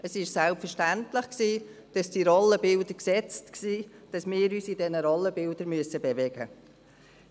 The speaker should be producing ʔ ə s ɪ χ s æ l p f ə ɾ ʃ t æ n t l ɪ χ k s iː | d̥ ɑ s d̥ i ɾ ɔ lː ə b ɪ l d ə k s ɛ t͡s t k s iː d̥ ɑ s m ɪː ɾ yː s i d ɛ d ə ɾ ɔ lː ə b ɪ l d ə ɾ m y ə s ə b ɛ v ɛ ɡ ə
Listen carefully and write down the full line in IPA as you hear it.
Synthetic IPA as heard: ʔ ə s ɪ ʃ s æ l p f ə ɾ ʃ t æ n t l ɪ χ k s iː | d̥ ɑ s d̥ i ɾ ɔ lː ə b ɪ l d ə k s ɛ t͡s t k s iː d̥ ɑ s m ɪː ɾ yː s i d ɛ n ə ɾ ɔ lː ə b ɪ l d ə ɾ m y ə s ə b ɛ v ɛ ɡ ə